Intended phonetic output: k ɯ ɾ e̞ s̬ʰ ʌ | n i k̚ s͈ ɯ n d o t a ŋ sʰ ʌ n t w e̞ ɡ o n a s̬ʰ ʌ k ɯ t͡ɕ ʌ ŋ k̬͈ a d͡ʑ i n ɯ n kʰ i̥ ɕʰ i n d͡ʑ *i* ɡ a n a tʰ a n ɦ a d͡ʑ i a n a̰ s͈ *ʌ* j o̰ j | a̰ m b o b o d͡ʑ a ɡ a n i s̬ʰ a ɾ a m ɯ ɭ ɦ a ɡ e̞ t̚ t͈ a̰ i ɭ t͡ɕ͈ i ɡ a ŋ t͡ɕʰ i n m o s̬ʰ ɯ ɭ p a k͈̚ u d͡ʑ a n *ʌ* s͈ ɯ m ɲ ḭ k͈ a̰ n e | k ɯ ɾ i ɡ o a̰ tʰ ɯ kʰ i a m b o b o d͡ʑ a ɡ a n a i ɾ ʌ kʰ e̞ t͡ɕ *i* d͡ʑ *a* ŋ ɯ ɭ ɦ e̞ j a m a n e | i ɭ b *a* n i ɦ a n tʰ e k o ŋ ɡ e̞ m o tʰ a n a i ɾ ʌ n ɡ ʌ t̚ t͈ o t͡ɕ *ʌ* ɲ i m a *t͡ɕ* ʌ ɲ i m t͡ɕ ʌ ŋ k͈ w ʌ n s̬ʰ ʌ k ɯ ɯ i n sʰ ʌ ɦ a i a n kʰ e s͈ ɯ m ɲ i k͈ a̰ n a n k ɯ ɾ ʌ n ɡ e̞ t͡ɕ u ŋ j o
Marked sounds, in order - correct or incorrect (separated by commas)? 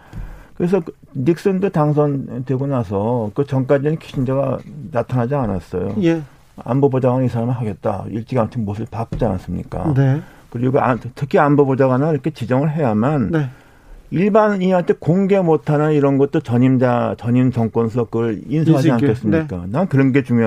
incorrect, correct, incorrect, correct, incorrect, correct, correct, correct